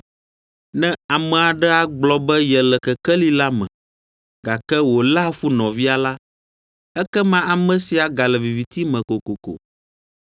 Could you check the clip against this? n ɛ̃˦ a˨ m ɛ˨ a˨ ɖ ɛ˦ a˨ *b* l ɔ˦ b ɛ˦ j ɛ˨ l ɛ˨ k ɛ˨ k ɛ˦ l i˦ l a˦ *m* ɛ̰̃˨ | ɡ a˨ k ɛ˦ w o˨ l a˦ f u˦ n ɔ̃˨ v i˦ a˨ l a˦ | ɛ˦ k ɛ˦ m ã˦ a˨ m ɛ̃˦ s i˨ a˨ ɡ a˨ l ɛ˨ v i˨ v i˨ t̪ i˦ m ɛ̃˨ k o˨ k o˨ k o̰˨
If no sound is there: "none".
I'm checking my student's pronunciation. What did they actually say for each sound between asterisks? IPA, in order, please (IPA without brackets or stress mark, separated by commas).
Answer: ɡ͡b, m